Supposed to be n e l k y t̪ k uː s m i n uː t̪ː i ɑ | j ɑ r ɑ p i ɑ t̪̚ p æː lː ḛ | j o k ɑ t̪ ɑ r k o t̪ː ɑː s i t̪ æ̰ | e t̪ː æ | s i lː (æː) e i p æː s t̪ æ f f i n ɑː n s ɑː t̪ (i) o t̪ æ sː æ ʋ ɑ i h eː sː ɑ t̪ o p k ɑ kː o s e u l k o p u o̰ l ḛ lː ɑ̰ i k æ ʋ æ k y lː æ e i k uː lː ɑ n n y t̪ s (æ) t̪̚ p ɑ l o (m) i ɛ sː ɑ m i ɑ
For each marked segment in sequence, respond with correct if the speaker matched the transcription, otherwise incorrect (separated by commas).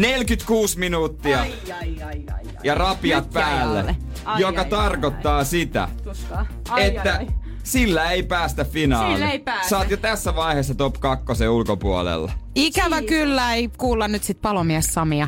incorrect, incorrect, incorrect, correct